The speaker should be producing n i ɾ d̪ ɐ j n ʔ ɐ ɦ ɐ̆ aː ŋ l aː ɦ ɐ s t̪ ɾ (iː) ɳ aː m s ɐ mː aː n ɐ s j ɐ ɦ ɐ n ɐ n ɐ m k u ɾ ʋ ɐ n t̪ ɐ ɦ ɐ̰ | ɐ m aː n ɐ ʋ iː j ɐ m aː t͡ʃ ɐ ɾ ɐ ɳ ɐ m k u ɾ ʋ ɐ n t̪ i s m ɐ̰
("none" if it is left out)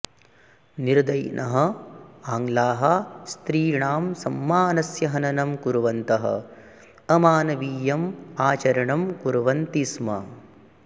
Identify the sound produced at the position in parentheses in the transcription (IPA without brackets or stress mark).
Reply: iː